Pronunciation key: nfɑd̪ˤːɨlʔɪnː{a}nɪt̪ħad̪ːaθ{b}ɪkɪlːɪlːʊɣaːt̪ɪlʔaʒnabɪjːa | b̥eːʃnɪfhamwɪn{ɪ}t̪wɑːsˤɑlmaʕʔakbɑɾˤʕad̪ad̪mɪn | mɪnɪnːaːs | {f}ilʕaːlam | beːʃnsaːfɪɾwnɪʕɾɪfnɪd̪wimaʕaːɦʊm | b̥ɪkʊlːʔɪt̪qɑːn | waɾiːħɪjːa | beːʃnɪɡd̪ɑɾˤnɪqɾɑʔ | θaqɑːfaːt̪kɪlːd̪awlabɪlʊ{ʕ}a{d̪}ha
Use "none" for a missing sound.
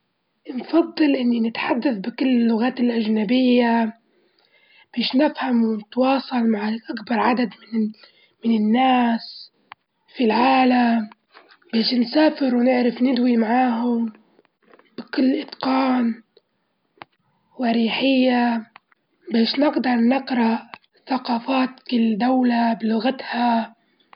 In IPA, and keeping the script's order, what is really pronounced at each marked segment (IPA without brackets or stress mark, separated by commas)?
i, b, ɪ, f, ɣ, t̪